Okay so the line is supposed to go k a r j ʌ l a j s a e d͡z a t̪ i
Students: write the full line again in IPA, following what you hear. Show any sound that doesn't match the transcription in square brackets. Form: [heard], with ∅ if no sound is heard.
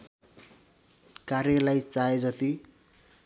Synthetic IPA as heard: k a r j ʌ l a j [t͡s] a e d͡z [ʌ] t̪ i